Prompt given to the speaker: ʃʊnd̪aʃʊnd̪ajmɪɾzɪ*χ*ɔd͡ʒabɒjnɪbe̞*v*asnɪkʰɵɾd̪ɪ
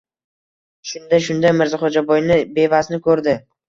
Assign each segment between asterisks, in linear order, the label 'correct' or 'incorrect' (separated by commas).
correct, correct